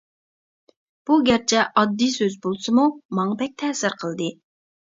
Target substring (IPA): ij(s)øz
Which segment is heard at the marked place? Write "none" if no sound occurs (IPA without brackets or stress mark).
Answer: s